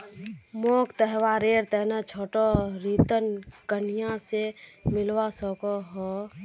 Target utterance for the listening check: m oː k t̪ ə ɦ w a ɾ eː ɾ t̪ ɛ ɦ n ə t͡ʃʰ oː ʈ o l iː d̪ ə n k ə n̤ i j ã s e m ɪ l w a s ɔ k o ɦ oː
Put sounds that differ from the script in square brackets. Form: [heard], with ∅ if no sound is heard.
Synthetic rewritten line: m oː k t̪ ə ɦ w a ɾ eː ɾ t̪ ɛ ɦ n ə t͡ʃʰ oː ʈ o [ɾ] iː [t̪] ə n k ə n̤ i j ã s e m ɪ l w a s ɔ k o ɦ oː